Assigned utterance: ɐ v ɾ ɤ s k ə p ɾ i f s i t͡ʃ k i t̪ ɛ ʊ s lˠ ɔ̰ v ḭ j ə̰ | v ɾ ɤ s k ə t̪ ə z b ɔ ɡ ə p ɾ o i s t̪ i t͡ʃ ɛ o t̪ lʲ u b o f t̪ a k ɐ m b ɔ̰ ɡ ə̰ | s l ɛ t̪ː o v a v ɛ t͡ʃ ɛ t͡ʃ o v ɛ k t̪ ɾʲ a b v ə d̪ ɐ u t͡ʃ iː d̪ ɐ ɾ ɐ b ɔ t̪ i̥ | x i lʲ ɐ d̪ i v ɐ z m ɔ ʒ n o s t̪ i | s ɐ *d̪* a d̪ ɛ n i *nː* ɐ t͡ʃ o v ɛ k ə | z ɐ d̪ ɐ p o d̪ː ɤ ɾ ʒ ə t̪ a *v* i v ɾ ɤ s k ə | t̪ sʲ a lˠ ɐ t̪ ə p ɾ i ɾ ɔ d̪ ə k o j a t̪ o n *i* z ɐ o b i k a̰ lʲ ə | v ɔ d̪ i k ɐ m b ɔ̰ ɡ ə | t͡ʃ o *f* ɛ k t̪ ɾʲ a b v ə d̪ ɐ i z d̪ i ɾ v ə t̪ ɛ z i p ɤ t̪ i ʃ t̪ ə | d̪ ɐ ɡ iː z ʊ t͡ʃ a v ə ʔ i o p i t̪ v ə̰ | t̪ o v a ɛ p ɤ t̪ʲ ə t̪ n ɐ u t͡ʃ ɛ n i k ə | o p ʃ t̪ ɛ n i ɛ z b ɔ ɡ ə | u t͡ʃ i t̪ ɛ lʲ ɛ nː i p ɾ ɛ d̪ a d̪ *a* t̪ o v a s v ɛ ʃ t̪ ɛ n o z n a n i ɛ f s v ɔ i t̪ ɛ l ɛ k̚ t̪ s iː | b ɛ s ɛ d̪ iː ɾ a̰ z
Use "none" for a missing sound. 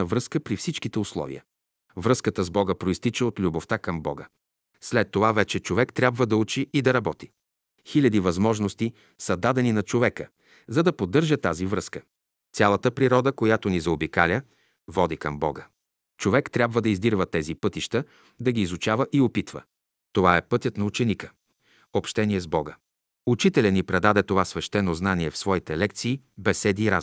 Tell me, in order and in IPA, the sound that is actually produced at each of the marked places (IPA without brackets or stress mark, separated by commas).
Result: d̪, n, z, i, v, ɛ